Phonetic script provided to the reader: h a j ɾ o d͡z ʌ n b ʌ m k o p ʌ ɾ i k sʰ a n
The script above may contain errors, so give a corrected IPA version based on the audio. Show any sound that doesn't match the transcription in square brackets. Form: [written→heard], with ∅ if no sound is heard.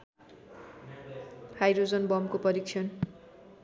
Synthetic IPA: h a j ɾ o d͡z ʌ n b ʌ m k o p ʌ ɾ i k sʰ [a→ʌ] n